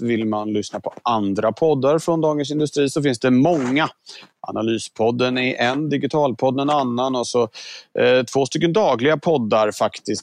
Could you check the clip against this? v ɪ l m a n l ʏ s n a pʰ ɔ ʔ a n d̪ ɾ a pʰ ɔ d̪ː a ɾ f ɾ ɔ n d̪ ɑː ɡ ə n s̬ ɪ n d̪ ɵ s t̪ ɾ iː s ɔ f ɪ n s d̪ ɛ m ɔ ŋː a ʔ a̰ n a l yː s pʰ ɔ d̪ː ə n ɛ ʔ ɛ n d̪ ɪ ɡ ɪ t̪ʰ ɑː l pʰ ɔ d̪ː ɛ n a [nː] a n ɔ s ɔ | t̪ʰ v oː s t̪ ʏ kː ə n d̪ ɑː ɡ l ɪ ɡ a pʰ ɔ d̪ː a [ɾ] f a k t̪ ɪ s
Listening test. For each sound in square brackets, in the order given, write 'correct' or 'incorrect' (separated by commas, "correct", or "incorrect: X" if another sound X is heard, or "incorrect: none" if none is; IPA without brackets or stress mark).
correct, correct